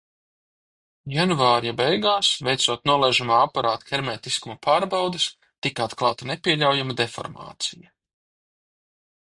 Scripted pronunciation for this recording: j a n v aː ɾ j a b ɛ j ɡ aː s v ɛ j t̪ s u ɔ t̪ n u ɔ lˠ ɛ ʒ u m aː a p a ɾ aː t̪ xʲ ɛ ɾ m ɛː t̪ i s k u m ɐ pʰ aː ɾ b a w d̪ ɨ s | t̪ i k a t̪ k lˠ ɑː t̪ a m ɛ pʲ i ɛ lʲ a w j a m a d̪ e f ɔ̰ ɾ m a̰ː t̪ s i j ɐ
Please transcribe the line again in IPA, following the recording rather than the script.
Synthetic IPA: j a n v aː ɾ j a b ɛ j ɡ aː s v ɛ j t̪ s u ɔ t̪ n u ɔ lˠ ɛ ʒ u m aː a p a ɾ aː t̪ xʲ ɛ ɾ m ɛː t̪ i s k u m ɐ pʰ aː ɾ b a w d̪ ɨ s | t̪ i k a t̪ k lˠ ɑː t̪ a n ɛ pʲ i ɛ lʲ a w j a m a d̪ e f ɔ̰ ɾ m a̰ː t̪ s i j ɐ